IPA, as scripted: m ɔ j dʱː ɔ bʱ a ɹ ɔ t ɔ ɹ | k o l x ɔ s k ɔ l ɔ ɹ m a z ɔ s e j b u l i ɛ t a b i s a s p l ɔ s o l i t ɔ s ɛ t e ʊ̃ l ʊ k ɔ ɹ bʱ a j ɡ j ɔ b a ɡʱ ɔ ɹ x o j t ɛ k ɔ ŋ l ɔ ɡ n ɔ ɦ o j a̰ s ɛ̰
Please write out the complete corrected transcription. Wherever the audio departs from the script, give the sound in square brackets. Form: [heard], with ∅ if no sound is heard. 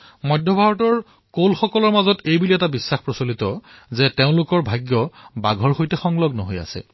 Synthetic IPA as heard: m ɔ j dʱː ɔ bʱ a ɹ ɔ t ɔ ɹ | k o l x ɔ [∅] k ɔ l ɔ ɹ m a z ɔ [t] e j b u l i ɛ t a b i [sː] a [x] p [ɹ] ɔ s o l i t ɔ [z] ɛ t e ʊ̃ l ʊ k ɔ ɹ bʱ a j ɡ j ɔ b a ɡʱ ɔ ɹ x o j t ɛ [x] ɔ ŋ l ɔ ɡ n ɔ ɦ o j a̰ s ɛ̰